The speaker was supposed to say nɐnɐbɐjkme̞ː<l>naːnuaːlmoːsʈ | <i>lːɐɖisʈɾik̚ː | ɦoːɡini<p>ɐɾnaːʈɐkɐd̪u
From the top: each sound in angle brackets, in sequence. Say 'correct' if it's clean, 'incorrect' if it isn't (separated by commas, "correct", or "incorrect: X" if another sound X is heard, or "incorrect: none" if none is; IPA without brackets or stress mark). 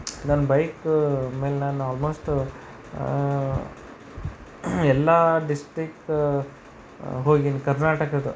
correct, incorrect: ɛ, incorrect: k